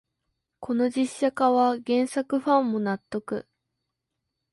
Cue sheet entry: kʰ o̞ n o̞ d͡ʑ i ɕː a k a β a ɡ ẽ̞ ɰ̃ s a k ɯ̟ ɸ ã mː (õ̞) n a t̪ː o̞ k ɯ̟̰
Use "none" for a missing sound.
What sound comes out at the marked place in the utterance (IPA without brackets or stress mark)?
o̞